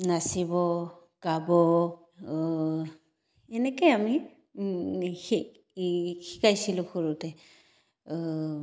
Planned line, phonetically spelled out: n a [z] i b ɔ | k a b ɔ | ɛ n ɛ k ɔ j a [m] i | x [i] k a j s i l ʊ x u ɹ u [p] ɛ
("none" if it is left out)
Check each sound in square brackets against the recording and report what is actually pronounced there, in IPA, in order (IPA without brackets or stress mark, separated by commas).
s, m, i, t